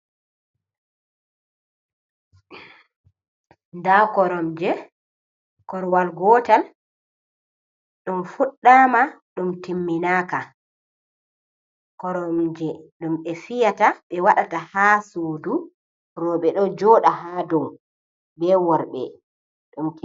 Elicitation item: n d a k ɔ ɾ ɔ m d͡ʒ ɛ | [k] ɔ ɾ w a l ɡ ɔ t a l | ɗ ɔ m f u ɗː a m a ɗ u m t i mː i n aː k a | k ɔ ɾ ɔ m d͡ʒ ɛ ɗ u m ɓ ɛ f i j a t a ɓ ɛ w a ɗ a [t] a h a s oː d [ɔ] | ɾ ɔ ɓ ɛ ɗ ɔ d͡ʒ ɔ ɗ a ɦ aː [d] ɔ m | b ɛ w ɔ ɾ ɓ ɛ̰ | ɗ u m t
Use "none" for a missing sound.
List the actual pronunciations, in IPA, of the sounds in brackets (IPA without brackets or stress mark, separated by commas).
k, t, u, d